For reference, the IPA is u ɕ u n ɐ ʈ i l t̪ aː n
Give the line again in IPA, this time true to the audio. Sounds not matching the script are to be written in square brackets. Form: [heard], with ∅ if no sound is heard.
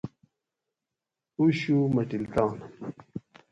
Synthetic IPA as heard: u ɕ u [m] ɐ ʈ i l t̪ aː n